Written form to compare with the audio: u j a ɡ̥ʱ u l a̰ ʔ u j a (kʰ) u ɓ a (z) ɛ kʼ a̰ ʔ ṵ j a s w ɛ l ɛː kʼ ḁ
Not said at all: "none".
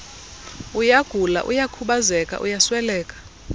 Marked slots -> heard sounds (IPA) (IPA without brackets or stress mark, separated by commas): kʰ, z